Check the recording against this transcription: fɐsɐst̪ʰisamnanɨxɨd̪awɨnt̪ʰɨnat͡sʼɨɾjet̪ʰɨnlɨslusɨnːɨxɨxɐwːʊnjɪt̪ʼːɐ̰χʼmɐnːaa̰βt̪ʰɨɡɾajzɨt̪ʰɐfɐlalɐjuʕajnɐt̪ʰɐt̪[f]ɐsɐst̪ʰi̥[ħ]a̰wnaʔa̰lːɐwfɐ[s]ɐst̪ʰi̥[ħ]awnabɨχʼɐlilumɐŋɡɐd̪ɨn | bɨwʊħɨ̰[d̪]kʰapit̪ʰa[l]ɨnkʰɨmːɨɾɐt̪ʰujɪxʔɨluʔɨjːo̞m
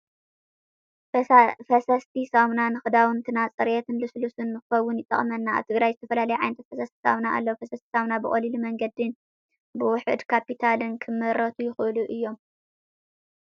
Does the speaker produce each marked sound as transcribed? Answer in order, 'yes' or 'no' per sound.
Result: yes, no, yes, no, yes, yes

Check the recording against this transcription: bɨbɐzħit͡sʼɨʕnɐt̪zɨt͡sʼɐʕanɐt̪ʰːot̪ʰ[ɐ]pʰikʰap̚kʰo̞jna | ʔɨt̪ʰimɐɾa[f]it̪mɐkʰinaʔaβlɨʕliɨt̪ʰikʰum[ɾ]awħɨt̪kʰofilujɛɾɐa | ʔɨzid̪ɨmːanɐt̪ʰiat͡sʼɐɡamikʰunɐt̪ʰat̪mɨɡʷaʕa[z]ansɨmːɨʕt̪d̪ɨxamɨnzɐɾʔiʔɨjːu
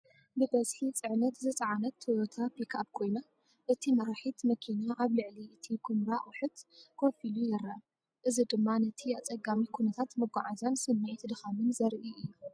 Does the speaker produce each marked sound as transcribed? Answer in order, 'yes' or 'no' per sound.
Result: no, no, yes, yes

